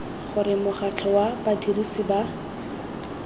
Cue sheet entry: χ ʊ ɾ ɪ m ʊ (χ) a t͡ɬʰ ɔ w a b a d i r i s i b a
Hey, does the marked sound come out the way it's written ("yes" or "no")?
yes